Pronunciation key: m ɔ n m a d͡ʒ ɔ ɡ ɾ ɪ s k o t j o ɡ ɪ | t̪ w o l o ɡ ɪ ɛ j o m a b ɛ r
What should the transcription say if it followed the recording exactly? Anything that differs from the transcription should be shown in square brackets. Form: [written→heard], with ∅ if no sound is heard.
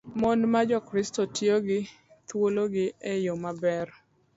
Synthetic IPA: m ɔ n m a d͡ʒ ɔ [ɡ→k] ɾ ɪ s [k→t] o t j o ɡ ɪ | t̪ w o l o ɡ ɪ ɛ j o m a b ɛ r

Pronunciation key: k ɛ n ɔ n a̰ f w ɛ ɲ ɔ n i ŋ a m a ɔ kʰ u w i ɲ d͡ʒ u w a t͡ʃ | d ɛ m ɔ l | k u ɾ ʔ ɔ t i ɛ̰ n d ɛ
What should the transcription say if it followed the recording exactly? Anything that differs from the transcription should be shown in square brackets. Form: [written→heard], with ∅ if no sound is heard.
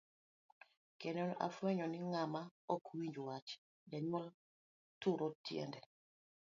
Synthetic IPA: k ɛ n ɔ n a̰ f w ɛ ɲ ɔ n i ŋ a m a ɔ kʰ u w i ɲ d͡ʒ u w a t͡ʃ | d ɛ [m→ɲ] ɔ l | [k→t] u ɾ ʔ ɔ t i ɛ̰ n d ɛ

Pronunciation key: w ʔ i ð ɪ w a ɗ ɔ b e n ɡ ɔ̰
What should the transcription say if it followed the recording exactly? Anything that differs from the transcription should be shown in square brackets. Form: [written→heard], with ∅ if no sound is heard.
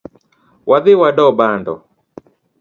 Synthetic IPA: w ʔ [i→a] ð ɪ w a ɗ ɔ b [e→a] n [ɡ→d] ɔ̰

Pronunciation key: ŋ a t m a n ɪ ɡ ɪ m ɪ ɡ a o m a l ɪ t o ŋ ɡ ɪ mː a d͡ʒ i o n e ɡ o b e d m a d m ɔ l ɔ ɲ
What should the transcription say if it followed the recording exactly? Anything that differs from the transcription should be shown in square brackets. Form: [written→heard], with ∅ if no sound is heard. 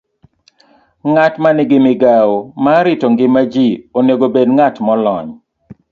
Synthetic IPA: ŋ a t m a n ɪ ɡ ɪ m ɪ ɡ a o m a [l→ɾ] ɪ t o ŋ ɡ ɪ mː a d͡ʒ i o n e ɡ o b e d [m→ŋ] a [d→t] m ɔ l ɔ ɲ

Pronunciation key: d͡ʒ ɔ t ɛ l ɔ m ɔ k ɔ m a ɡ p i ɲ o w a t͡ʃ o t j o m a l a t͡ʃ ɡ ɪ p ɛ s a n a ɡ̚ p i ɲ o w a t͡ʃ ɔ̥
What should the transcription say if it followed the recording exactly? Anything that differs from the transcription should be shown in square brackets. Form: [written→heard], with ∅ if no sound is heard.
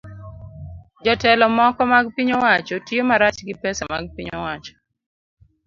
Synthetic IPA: d͡ʒ ɔ t ɛ l ɔ m ɔ k ɔ m a ɡ p i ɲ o w a t͡ʃ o t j o m a [l→ɾ] a t͡ʃ ɡ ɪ p ɛ s a [n→m] a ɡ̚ p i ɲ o w a t͡ʃ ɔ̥

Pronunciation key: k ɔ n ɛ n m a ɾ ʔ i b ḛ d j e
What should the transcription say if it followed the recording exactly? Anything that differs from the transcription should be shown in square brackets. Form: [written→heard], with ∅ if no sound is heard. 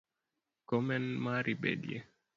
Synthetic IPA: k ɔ [n→m] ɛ n m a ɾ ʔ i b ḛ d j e

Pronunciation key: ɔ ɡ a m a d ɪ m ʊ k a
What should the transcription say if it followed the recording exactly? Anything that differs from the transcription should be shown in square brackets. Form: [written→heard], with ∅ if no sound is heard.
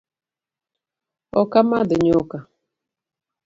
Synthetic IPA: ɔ [ɡ→k] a m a d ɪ [m→ɲ] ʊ k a

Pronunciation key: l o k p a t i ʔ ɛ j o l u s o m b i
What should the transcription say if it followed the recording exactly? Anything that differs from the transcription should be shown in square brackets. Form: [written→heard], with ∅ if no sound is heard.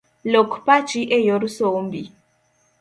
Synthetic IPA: l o k p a [t→t͡ʃ] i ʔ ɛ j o [l→ɾ] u s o m b i

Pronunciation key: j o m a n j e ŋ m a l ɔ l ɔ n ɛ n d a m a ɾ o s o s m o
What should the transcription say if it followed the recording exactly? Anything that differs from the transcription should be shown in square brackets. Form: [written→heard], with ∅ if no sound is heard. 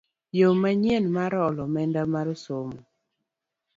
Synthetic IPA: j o m a [n→ɲ] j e [ŋ→n] m a [l→ɾ] ɔ l ɔ [n→m] ɛ n d a m a ɾ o s o [s→∅] m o

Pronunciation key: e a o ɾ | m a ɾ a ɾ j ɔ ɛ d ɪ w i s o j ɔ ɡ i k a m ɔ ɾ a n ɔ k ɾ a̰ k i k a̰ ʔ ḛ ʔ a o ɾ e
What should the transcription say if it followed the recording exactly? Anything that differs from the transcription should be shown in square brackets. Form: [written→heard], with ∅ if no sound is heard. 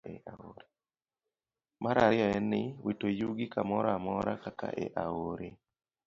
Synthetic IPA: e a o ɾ | m a ɾ a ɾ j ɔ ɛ [d→n] ɪ w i [s→t] o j [ɔ→u] ɡ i k a m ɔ ɾ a [n→m] ɔ [k→∅] ɾ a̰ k [i→a] k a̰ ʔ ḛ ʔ a o ɾ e

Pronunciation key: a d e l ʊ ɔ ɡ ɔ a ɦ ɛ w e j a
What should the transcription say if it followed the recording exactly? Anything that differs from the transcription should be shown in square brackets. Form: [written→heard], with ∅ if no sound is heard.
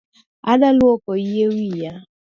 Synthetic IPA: a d [e→a] l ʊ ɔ [ɡ→k] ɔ [a→i] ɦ [ɛ→e] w [e→i] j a

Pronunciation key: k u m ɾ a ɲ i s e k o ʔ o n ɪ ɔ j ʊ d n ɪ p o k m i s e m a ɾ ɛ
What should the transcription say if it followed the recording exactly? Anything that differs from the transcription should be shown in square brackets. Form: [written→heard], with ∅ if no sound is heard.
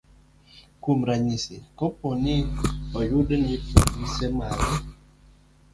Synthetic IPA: k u m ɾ a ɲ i s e k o [ʔ→p] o n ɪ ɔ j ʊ d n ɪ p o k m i s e m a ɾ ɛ

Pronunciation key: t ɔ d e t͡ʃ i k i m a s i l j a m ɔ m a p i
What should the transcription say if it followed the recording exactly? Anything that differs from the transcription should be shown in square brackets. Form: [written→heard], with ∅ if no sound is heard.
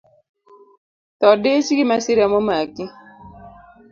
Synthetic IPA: t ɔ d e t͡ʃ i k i m a s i [l→ɾ] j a m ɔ m a [p→k] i

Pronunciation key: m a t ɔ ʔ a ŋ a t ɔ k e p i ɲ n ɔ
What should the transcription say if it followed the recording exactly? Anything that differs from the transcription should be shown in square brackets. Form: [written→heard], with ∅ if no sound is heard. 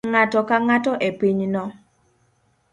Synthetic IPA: [m→ŋ] a t ɔ [ʔ→k] a ŋ a t ɔ [k→ʔ] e p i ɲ n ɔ

